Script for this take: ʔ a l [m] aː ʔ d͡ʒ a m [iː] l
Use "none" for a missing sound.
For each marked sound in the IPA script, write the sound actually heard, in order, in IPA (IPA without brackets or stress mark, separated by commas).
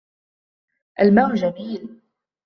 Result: m, iː